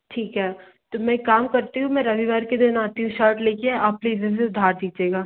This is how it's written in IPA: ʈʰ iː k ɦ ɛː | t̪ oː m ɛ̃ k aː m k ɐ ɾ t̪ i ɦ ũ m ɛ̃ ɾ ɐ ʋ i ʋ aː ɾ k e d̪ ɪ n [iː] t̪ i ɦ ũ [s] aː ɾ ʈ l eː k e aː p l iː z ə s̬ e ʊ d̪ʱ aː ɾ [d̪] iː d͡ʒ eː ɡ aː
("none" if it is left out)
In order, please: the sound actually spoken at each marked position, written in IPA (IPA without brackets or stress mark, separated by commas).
aː, ʃ, d̪